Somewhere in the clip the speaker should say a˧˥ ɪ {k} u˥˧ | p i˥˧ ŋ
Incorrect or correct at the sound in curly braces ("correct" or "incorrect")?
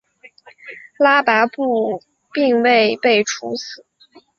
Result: incorrect